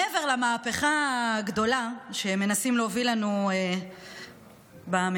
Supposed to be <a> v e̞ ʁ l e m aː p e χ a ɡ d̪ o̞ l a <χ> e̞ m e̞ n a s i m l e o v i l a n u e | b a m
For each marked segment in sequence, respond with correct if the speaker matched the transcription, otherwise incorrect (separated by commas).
incorrect, incorrect